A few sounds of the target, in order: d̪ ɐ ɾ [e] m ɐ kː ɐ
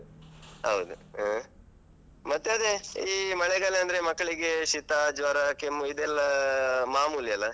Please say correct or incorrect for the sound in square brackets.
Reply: correct